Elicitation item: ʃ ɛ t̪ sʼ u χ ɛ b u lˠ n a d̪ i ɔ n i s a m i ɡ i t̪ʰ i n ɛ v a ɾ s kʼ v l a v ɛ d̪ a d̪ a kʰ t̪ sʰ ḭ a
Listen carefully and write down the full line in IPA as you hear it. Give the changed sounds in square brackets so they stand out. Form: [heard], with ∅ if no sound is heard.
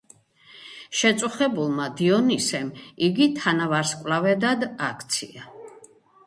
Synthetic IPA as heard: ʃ ɛ t̪ sʼ u χ ɛ b u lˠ [m] a d̪ i ɔ n i s [ɛ] m i ɡ i t̪ʰ [a] n [a] v a ɾ s kʼ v l a v ɛ d̪ a d̪ a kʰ t̪ sʰ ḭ a